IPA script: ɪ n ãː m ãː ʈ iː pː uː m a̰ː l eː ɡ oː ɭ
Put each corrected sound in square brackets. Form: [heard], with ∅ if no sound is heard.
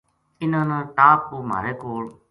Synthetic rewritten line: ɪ n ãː [n] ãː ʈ [aː] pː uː m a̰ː [ɾ] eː [k] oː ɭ

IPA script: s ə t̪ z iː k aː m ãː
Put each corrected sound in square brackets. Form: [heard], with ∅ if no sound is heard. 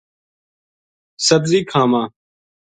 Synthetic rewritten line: s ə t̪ z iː [kʰ] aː m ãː

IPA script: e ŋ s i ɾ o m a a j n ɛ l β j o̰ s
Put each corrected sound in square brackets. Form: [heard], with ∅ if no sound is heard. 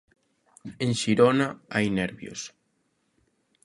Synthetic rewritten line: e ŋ [ʃ] i ɾ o [n] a a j n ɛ [ɾ] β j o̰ s

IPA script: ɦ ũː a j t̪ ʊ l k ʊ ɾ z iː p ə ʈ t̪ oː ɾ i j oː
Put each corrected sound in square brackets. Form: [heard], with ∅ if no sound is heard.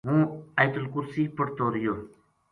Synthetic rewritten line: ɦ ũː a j t̪ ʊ l k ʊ ɾ [s] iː p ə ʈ t̪ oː ɾ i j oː

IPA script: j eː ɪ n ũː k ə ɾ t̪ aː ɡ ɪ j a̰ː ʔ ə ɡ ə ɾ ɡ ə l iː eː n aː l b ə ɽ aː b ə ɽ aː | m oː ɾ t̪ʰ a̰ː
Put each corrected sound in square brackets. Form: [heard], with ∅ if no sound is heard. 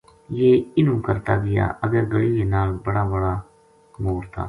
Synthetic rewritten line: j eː ɪ n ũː k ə ɾ t̪ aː ɡ ɪ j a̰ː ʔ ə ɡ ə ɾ ɡ ə [ɽ] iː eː n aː l b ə ɽ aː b ə ɽ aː | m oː ɾ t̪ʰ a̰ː

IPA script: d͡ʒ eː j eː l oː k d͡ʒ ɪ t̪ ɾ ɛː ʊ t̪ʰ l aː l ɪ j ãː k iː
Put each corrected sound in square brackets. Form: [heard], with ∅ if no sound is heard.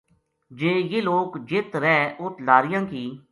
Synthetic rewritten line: d͡ʒ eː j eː l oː k d͡ʒ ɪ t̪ ɾ ɛː ʊ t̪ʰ l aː [ɾ] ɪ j ãː k iː

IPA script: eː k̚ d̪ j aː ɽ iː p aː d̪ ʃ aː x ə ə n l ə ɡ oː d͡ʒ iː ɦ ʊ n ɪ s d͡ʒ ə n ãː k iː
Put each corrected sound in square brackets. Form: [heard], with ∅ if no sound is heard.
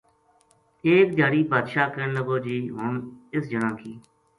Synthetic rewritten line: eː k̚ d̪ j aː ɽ iː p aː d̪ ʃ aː [k] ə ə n l ə ɡ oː d͡ʒ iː ɦ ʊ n ɪ s d͡ʒ ə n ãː k iː

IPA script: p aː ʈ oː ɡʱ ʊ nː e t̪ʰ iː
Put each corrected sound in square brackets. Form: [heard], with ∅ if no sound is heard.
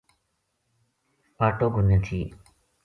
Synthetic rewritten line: p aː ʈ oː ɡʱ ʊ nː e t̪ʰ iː

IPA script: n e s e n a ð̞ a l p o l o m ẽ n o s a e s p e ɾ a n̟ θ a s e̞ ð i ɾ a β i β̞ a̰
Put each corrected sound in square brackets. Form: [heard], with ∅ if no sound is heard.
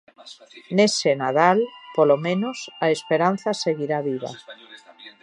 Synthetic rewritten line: n e s e n a ð̞ a l p o l o m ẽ n o s a e s p e ɾ a n̟ θ a s e̞ [ɣ] i ɾ a β i β̞ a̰

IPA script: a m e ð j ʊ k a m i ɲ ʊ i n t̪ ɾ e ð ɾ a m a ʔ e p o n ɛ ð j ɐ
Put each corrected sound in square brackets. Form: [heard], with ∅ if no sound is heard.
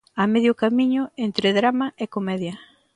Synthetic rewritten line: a m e ð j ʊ k a m i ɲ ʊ [e] n t̪ ɾ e ð ɾ a m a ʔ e [k] o [m] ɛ ð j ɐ

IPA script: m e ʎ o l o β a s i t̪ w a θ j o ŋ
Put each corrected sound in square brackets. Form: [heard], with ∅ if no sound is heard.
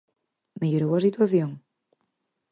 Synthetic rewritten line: m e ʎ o [ɾ] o [w] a s i t̪ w a θ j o ŋ

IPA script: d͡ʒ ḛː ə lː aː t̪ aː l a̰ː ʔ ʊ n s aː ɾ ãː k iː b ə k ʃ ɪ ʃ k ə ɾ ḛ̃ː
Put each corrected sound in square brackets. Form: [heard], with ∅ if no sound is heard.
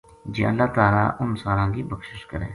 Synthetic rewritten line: d͡ʒ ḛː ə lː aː t̪ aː l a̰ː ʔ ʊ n s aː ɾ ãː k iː b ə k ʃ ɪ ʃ k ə ɾ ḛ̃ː

